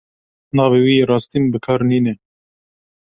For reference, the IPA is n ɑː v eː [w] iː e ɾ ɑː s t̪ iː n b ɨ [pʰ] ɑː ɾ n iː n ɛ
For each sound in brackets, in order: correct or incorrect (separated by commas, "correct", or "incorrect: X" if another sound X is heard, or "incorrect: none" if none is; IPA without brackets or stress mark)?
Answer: correct, incorrect: kʰ